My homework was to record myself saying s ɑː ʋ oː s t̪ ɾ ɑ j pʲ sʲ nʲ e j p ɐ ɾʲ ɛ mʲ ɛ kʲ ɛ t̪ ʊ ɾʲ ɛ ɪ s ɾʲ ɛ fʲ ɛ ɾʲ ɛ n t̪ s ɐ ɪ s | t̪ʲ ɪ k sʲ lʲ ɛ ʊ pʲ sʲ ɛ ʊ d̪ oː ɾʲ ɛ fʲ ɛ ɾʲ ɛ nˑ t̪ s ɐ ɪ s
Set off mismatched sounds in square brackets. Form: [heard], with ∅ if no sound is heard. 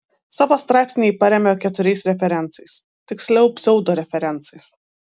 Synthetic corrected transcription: s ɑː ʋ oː s t̪ ɾ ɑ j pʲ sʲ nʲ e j p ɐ ɾʲ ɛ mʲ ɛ kʲ ɛ t̪ ʊ ɾʲ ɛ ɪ s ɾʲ ɛ fʲ ɛ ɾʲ ɛ n t̪ s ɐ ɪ s | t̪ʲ ɪ k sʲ lʲ ɛ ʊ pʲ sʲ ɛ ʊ d̪ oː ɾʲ ɛ fʲ ɛ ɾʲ ɛ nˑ t̪ s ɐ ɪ s

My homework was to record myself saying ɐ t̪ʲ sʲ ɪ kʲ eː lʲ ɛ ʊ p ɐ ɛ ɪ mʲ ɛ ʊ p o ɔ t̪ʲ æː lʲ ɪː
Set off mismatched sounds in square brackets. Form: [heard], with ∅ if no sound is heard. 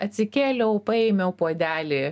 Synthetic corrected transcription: ɐ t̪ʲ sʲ ɪ kʲ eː lʲ ɛ ʊ p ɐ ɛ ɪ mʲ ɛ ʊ p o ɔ [d̪ʲ] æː lʲ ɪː

